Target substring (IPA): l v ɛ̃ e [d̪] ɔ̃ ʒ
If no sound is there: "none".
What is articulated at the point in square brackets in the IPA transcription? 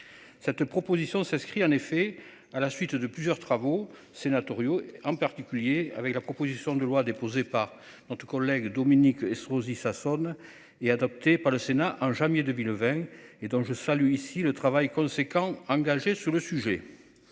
d̪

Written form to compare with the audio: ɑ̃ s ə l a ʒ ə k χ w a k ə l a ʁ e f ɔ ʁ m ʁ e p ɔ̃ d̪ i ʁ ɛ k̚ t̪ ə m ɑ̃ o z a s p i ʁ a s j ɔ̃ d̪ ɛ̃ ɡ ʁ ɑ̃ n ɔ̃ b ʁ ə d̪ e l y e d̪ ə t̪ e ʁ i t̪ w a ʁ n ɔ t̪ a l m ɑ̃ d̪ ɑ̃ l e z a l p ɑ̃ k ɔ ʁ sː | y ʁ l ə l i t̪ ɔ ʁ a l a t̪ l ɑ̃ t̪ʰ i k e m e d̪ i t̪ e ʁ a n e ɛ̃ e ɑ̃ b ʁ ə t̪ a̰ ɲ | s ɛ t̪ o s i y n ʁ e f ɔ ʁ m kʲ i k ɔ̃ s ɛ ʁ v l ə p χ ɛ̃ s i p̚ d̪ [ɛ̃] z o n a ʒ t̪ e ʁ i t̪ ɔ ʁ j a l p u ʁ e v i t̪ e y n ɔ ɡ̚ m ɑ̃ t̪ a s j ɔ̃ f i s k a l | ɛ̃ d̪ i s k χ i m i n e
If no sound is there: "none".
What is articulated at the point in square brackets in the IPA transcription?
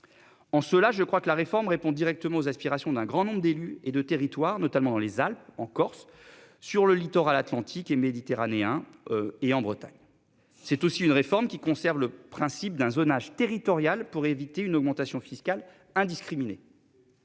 ɛ̃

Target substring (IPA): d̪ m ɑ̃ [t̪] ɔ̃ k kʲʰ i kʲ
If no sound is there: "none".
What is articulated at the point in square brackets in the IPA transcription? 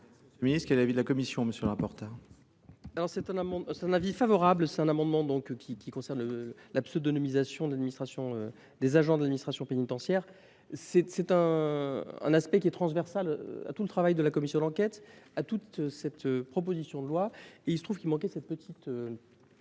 d̪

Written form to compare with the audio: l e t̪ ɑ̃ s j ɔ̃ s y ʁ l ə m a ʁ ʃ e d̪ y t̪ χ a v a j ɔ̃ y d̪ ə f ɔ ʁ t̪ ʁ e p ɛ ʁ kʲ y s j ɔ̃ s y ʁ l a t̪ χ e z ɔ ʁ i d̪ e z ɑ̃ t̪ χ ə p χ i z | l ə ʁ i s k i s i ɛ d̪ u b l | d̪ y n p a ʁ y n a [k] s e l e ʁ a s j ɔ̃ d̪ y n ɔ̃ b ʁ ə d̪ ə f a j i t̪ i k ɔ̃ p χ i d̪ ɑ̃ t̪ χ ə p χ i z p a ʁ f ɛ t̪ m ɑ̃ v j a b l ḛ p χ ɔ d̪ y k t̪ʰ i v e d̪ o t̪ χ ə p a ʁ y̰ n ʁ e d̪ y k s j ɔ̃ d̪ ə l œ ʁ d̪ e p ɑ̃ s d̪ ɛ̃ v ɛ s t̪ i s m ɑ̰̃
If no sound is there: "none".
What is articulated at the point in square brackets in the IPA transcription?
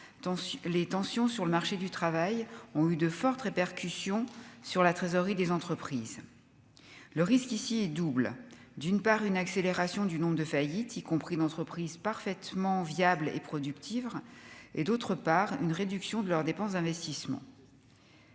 k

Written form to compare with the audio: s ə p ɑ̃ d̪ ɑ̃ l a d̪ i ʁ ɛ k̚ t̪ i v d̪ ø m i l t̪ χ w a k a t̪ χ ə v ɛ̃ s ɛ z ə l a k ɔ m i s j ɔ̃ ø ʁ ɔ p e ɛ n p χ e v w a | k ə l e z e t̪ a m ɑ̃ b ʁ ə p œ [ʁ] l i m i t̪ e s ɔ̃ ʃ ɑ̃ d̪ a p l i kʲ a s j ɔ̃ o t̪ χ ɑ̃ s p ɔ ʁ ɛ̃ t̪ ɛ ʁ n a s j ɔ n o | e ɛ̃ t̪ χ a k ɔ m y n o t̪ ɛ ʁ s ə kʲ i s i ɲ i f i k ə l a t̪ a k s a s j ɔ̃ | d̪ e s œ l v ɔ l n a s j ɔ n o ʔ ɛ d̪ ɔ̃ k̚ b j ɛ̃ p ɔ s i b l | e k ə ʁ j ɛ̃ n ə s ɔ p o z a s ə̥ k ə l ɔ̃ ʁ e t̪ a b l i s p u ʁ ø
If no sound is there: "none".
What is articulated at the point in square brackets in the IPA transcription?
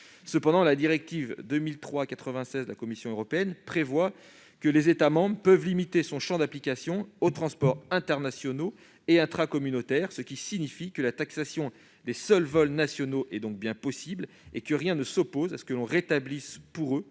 v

